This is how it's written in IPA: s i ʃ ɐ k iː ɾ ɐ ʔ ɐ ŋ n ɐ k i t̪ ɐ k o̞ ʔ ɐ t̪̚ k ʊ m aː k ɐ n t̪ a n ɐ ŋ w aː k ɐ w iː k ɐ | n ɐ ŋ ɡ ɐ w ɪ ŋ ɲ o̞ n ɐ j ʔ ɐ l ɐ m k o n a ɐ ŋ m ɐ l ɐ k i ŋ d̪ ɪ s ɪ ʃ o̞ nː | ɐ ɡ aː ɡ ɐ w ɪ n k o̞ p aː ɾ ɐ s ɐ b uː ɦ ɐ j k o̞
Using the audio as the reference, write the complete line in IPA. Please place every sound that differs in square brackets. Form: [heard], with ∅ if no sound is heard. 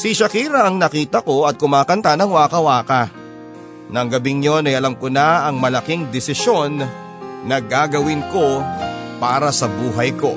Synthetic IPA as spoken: s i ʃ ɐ k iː ɾ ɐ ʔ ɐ ŋ n ɐ k [iː] t̪ ɐ k o̞ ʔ ɐ t̪̚ k ʊ m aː k ɐ n t̪ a n ɐ ŋ w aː k ɐ w [aː] k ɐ | n ɐ ŋ ɡ ɐ [b] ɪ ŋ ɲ o̞ n ɐ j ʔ ɐ l ɐ m k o n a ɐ ŋ m ɐ l ɐ k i ŋ d̪ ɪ s ɪ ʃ o̞ nː | ɐ ɡ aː ɡ ɐ w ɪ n k o̞ p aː ɾ ɐ s ɐ b uː ɦ ɐ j k o̞